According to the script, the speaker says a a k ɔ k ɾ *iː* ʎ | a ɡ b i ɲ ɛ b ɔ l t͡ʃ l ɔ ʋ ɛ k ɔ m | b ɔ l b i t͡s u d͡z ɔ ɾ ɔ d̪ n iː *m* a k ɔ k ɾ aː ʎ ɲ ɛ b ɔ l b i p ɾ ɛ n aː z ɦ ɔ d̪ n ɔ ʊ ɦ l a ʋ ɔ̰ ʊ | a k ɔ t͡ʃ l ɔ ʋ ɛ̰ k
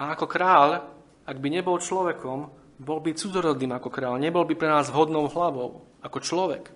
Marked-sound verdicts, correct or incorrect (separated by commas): incorrect, correct